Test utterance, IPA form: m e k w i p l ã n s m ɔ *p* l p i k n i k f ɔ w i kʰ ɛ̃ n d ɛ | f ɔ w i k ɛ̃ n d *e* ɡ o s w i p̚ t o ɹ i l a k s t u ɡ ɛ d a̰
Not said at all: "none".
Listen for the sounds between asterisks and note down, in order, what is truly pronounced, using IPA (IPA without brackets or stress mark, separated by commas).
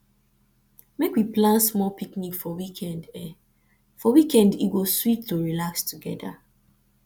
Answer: none, i